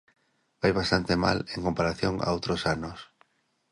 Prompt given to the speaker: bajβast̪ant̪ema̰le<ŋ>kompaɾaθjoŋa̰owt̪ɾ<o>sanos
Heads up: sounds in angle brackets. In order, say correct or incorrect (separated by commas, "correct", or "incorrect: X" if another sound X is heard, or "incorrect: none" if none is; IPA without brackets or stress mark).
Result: correct, correct